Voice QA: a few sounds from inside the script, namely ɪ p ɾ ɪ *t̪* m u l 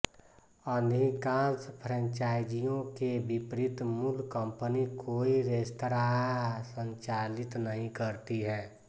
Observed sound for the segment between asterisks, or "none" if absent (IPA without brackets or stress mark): t̪